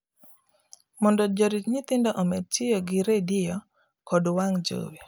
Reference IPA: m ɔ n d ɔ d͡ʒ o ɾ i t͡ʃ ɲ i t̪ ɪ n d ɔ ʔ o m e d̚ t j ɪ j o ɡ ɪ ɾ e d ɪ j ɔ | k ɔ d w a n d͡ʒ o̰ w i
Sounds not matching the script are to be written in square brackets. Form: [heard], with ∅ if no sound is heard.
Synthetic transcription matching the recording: m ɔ n d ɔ d͡ʒ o ɾ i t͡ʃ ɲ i t̪ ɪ n d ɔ ʔ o m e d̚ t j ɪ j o ɡ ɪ ɾ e d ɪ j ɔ | k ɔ d w a [ŋ] d͡ʒ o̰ w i